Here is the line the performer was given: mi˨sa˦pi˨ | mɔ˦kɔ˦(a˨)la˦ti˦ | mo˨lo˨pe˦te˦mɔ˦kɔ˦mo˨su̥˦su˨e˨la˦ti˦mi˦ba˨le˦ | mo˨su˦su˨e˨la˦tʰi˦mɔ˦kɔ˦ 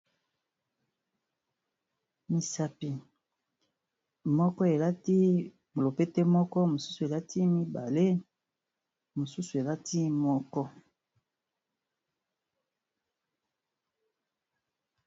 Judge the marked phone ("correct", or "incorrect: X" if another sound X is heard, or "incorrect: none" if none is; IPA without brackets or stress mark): incorrect: e˨